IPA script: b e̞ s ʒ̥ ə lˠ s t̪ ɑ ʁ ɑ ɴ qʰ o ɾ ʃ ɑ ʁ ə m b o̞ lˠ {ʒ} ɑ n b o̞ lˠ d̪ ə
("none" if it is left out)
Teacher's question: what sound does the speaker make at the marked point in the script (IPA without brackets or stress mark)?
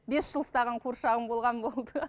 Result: ʁ